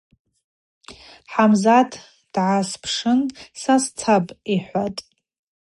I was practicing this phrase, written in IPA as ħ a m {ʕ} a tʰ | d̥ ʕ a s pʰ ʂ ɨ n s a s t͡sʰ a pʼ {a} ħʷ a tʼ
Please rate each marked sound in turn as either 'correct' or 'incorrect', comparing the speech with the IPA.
incorrect, incorrect

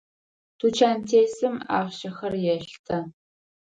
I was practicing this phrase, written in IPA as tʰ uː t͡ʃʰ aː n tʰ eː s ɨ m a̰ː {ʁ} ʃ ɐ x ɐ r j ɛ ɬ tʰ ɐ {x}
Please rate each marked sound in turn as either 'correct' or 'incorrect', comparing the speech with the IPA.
correct, incorrect

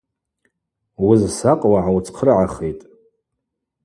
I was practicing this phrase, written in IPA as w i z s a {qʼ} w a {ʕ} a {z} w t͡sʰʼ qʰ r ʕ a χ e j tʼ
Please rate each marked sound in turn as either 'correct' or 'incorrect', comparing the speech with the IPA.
correct, correct, incorrect

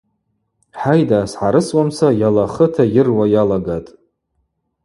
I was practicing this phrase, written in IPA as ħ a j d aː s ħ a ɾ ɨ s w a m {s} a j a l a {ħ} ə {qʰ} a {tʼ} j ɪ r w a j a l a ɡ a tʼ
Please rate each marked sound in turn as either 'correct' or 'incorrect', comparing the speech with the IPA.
correct, incorrect, incorrect, incorrect

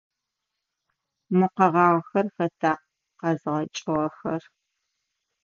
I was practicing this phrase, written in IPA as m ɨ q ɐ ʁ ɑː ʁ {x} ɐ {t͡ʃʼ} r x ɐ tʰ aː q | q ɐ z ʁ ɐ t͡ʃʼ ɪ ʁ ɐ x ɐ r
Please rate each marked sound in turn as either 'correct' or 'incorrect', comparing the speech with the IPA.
correct, incorrect

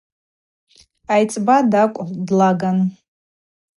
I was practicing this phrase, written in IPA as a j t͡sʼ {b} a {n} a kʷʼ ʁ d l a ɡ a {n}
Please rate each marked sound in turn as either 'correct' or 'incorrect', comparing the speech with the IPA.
correct, incorrect, correct

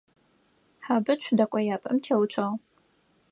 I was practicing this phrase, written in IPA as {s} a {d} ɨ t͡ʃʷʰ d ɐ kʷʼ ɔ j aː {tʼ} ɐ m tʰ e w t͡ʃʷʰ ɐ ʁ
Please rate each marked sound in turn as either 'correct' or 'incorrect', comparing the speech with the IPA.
incorrect, incorrect, incorrect

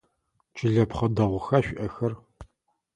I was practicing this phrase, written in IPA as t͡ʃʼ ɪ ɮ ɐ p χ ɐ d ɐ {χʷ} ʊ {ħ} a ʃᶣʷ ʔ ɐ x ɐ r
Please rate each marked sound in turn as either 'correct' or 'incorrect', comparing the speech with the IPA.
incorrect, incorrect

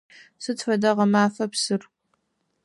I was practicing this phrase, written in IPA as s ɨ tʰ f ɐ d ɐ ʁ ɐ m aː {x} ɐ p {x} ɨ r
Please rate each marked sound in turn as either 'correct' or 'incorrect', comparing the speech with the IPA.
incorrect, incorrect

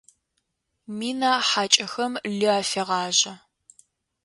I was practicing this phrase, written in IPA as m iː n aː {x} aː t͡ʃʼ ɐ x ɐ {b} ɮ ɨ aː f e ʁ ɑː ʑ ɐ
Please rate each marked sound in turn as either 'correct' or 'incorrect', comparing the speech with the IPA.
incorrect, incorrect

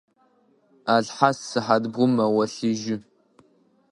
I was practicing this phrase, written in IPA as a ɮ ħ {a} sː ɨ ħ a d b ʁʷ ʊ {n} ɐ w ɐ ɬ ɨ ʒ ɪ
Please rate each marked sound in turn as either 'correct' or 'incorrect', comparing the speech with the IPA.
correct, incorrect

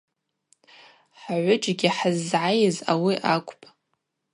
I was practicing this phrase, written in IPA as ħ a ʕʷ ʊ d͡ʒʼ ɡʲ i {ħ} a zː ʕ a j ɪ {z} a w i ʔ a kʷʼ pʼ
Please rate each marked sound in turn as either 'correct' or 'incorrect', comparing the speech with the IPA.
correct, correct

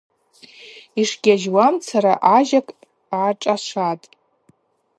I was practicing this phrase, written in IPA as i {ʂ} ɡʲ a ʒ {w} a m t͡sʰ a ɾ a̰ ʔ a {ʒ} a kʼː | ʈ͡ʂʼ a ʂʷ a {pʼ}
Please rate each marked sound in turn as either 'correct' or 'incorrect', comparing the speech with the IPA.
correct, correct, correct, incorrect

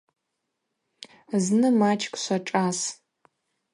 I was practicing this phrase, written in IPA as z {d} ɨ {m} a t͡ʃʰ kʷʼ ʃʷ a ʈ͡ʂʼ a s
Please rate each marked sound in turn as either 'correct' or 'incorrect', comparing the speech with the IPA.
incorrect, correct

